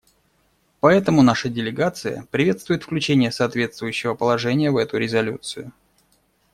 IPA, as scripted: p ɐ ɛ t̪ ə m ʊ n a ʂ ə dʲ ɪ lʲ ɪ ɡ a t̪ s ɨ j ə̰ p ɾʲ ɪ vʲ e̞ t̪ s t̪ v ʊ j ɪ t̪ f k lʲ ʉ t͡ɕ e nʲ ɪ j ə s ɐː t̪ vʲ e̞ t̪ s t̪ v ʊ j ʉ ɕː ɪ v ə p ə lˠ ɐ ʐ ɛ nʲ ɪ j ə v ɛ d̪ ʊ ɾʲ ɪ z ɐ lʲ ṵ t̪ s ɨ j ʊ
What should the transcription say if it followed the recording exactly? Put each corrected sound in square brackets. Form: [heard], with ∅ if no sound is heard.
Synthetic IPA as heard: p ɐ ɛ t̪ ə m ʊ n a ʂ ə dʲ ɪ lʲ ɪ ɡ a t̪ s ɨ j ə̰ p ɾʲ ɪ vʲ e̞ t̪ s t̪ v ʊ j ɪ t̪ f k lʲ ʉ t͡ɕ e nʲ ɪ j ə s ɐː t̪ vʲ e̞ t̪ s t̪ v ʊ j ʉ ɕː ɪ v ə p ə lˠ ɐ ʐ ɛ nʲ ɪ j ə v ɛ [t̪] ʊ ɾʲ ɪ z ɐ lʲ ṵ t̪ s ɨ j ʊ